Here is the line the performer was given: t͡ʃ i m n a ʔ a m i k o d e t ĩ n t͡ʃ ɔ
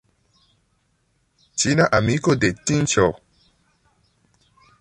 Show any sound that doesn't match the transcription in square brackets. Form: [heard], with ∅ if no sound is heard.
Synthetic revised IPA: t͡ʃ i [∅] n a ʔ a m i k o d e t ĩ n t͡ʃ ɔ